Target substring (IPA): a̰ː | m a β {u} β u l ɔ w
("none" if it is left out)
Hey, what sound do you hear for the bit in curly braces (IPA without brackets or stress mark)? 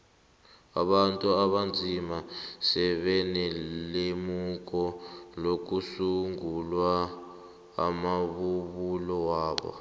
u